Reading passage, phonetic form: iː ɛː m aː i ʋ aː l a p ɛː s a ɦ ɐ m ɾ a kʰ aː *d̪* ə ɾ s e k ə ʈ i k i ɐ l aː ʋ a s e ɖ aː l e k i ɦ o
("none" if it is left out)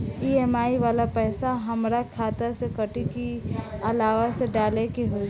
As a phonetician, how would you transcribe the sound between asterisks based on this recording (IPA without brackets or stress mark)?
t̪